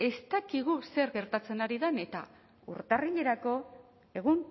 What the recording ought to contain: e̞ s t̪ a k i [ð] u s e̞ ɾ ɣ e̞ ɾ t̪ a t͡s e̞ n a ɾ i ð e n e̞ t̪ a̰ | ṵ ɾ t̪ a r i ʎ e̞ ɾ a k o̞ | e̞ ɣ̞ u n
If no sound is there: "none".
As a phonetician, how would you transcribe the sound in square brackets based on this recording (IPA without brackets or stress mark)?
ɣ